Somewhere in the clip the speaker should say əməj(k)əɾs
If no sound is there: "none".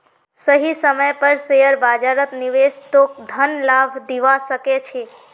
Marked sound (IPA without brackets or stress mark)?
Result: p